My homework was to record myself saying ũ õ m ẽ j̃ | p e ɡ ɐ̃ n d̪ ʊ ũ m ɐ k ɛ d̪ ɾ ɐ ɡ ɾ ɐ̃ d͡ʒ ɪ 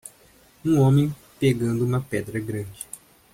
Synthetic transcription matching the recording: ũ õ m ẽ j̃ | p e ɡ ɐ̃ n d̪ ʊ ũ m ɐ p ɛ d̪ ɾ ɐ ɡ ɾ ɐ̃ d͡ʒ ɪ